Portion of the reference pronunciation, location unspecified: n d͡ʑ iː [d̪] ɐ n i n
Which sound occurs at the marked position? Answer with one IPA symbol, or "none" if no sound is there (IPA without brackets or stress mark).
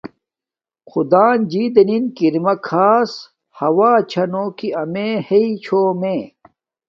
d̪